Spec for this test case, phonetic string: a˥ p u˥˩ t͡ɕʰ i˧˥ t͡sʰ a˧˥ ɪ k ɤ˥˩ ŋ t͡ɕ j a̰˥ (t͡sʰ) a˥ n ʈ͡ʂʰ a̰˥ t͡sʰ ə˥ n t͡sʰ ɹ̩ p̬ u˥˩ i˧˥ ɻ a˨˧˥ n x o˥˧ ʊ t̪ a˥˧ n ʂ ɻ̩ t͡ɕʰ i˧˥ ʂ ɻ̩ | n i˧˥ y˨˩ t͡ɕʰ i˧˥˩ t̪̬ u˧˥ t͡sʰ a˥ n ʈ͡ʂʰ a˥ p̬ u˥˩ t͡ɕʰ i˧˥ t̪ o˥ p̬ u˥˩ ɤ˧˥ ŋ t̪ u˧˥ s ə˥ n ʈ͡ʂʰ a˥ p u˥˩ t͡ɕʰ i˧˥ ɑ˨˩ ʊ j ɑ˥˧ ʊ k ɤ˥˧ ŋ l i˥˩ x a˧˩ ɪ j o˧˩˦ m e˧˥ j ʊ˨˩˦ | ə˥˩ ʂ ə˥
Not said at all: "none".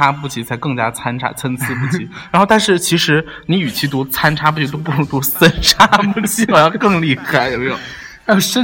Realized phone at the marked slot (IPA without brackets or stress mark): t͡sʰ